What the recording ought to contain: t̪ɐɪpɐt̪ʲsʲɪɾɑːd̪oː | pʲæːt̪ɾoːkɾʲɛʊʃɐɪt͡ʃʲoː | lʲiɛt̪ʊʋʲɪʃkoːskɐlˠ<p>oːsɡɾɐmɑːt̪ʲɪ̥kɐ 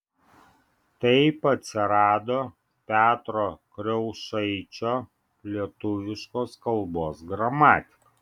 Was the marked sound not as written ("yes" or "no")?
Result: yes